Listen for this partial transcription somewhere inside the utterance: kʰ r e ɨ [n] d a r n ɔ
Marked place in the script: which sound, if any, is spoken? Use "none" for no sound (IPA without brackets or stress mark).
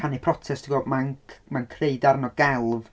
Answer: none